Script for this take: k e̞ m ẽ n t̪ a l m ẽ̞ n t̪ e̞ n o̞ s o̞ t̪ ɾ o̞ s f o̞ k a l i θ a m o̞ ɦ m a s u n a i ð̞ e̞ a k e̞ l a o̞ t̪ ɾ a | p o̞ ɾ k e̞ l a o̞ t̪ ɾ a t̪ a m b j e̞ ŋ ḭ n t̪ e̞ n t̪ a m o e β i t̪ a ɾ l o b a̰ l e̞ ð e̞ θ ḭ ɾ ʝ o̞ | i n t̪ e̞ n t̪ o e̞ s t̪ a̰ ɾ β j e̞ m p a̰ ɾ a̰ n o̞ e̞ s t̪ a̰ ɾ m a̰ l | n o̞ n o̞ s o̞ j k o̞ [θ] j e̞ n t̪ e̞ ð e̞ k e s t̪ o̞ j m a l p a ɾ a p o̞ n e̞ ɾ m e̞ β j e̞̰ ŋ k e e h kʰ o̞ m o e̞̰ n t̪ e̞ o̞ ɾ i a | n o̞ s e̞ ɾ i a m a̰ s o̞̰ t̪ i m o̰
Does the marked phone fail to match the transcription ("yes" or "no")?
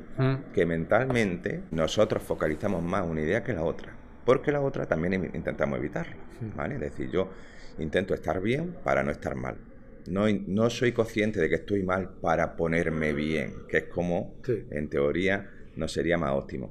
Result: no